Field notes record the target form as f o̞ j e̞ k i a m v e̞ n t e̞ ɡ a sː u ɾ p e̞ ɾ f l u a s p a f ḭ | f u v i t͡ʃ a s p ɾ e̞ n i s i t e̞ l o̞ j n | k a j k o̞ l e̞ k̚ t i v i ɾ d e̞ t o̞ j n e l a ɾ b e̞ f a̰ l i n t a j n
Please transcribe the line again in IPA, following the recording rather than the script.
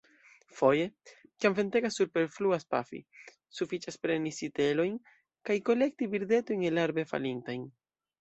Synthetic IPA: f o̞ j e̞ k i a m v e̞ n t e̞ ɡ a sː u ɾ p e̞ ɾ f l u a s p a f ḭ | s u f i t͡ʃ a s p ɾ e̞ n i s i t e̞ l o̞ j n | k a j k o̞ l e̞ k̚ t i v i ɾ d e̞ t o̞ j n e l a ɾ b e̞ f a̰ l i n t a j n